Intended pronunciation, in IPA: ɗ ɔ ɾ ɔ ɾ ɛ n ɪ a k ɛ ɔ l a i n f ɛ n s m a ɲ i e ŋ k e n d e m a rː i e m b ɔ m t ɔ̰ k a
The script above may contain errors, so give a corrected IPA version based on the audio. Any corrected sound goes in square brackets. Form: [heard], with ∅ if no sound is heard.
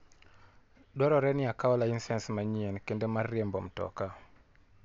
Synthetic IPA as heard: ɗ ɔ ɾ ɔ ɾ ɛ n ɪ a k [a] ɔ l a i n [s] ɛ n s m a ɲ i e [n] k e n d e m a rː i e m b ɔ m t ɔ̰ k a